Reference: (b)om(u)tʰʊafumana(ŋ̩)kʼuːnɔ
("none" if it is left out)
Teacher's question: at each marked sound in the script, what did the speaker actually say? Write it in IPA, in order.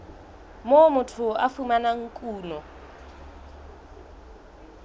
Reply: m, ʊ, ŋ̩

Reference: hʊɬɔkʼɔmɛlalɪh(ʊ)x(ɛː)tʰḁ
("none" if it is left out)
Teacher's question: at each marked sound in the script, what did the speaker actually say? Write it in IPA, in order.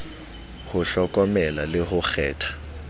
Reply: ʊ, ɛː

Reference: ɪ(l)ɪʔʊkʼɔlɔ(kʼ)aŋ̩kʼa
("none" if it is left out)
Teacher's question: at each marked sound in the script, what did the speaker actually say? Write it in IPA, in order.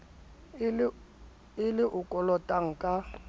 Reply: l, tʼ

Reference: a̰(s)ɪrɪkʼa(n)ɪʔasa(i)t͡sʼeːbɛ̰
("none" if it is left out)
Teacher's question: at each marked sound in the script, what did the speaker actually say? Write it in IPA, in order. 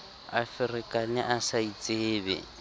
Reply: f, n, i

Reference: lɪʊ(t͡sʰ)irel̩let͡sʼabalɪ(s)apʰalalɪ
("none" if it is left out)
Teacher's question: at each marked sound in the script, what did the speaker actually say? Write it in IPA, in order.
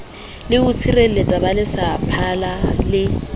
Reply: t͡sʰ, s

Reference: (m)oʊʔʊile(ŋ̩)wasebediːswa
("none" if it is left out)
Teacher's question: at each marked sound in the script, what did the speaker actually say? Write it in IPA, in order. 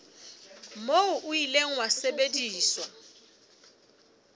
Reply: m, ŋ̩

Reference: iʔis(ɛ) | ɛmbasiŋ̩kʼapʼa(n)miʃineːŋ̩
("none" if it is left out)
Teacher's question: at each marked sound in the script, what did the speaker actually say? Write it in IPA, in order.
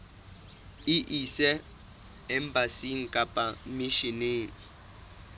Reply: ɛ, none

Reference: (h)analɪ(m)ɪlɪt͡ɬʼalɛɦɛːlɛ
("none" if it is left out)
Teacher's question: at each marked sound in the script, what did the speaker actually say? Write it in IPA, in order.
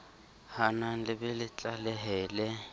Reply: h, b

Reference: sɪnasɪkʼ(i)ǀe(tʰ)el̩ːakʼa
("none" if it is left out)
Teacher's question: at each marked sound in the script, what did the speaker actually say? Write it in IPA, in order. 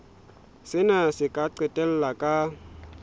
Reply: a, t

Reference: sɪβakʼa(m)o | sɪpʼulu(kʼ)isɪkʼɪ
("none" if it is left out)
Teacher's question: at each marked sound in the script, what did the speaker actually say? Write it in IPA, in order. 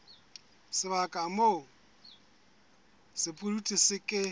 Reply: m, tʼ

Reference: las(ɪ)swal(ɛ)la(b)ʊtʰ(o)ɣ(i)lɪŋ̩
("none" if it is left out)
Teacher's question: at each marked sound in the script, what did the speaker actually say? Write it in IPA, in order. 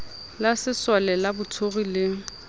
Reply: ɪ, ɛ, b, o, i

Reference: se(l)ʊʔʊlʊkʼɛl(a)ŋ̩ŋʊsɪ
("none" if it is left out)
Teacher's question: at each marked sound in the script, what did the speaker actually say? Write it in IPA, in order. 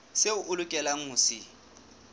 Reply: none, a

